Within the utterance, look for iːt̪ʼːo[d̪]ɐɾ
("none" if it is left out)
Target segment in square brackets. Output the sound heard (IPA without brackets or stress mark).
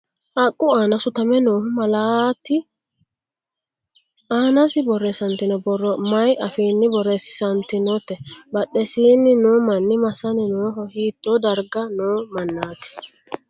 d̪